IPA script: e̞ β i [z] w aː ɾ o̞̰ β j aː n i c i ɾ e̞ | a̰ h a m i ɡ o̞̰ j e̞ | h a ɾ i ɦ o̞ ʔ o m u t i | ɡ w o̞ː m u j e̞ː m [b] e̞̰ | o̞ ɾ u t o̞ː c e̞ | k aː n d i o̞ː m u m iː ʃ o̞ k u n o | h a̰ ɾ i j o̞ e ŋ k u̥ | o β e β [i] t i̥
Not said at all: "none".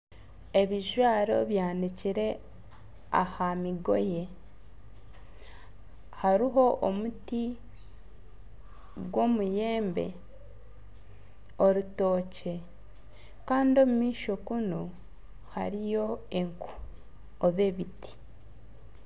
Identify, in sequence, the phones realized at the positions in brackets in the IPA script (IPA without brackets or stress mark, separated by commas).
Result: ʒ, b, i